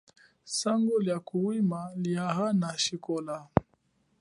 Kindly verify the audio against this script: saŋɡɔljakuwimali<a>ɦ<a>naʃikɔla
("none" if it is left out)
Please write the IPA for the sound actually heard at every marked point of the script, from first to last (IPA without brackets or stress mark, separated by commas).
a, a